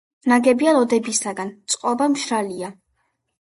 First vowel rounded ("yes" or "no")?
no